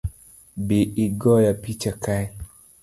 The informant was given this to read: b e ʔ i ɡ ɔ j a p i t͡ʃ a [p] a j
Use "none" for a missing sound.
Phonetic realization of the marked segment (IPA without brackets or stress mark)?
k